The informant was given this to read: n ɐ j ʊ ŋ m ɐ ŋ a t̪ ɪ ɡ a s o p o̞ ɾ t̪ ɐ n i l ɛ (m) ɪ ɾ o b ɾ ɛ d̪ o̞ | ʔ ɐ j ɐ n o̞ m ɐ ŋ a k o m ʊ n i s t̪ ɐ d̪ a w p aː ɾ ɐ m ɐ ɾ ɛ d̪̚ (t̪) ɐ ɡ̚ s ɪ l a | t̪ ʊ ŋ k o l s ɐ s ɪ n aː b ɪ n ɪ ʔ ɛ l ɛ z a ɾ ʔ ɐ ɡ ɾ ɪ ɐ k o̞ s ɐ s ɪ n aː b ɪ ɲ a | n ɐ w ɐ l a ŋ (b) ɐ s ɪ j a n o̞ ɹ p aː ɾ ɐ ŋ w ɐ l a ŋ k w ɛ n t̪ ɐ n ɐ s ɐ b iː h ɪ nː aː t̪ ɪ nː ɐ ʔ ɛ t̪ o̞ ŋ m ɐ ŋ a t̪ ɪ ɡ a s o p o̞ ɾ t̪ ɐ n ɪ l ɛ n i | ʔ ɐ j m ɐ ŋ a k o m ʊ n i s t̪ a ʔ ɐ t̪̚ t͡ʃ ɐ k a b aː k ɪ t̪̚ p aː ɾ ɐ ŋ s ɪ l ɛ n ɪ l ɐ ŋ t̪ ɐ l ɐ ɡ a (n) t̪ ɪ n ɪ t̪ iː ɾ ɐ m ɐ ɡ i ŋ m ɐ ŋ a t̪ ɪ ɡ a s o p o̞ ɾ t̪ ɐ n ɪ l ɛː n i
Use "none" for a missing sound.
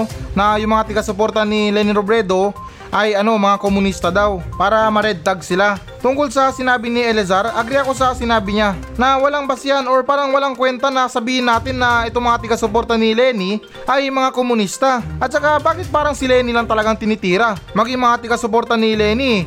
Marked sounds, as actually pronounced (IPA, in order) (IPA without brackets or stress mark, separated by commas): n, t̪, b, ŋ